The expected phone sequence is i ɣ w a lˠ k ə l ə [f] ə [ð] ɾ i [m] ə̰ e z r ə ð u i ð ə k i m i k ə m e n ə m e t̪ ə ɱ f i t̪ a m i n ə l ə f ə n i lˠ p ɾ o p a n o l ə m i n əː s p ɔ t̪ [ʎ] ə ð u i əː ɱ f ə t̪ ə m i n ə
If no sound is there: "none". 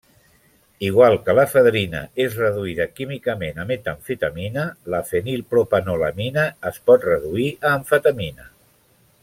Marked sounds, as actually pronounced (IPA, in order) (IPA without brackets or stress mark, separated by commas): f, ð, n, r